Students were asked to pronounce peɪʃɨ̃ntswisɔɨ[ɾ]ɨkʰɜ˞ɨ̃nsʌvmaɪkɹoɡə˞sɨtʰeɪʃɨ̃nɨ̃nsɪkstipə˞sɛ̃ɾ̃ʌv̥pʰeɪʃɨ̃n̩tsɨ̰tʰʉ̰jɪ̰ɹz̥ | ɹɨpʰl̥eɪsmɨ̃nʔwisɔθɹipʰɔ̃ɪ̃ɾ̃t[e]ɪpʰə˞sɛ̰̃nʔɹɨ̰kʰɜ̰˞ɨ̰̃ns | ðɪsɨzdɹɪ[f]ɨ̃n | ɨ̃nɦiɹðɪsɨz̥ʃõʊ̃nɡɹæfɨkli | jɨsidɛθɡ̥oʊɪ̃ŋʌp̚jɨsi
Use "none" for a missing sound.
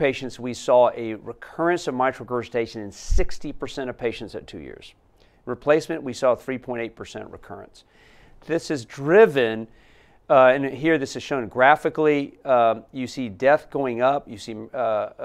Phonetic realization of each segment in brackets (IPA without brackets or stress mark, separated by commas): ɹ, e, v